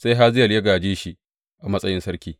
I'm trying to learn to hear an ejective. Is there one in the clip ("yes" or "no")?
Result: yes